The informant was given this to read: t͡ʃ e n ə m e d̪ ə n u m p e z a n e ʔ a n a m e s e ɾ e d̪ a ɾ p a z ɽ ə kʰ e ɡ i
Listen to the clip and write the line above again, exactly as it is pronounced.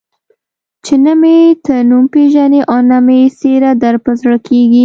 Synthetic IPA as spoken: t͡ʃ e n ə m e t̪ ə n u m p e ʒ a n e ʔ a n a m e s e ɾ a d̪ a ɾ p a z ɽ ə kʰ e ɡ i